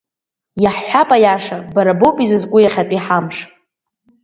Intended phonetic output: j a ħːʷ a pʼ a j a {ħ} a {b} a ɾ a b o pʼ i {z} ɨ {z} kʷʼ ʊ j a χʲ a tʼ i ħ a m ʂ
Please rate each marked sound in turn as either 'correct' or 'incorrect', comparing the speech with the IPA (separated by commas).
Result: incorrect, correct, correct, correct